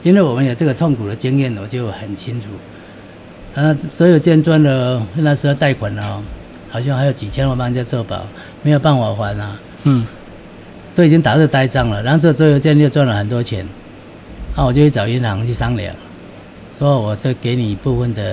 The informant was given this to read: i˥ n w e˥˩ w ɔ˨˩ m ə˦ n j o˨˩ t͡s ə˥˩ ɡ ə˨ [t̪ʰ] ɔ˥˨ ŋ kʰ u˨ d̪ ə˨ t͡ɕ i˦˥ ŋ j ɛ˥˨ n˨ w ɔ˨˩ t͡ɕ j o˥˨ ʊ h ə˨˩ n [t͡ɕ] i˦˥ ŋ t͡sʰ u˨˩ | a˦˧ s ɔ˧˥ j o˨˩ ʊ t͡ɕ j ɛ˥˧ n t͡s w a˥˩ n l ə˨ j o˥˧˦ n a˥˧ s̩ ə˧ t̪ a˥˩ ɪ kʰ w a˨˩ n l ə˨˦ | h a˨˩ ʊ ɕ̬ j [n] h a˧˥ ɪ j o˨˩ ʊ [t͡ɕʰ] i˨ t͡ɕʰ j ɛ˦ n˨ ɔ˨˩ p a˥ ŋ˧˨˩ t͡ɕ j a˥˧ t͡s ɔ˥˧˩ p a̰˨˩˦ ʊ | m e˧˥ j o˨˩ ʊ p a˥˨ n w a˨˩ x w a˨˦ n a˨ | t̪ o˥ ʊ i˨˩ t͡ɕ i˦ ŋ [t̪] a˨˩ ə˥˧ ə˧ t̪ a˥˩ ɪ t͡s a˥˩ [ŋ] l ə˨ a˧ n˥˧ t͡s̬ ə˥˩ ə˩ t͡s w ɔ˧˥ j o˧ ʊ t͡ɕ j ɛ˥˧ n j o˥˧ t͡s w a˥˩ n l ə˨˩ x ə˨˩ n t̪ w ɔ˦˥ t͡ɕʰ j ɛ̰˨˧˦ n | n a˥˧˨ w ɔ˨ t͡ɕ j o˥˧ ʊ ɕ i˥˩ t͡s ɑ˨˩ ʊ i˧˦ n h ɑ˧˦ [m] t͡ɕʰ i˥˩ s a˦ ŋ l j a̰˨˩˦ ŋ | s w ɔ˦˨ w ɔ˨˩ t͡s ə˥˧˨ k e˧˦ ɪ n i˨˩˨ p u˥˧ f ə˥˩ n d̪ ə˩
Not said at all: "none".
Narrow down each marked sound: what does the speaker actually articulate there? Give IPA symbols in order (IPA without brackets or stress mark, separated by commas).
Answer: t̪ʰ, t͡ɕʰ, ŋ, t͡ɕ, t̪, ŋ, ŋ